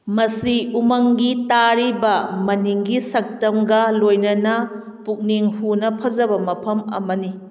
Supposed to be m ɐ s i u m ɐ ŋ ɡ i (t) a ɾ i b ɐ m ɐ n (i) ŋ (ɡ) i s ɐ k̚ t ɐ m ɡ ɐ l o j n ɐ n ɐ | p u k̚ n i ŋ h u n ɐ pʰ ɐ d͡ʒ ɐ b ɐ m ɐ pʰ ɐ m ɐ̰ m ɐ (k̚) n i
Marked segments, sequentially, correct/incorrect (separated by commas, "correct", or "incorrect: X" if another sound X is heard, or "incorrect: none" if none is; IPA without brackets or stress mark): correct, correct, correct, incorrect: none